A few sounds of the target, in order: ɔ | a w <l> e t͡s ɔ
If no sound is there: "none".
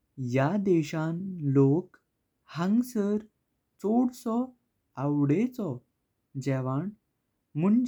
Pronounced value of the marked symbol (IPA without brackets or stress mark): ɽ